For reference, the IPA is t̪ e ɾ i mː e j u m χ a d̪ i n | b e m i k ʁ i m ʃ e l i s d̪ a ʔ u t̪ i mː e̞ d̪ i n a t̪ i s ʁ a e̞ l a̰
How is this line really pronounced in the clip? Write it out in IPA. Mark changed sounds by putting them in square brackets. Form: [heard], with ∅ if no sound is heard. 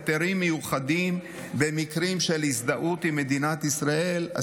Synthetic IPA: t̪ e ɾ i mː e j u [∅] χ a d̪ i [m] | b e m i k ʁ i m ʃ e l i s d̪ a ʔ u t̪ i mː e̞ d̪ i n a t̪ i s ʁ a e̞ l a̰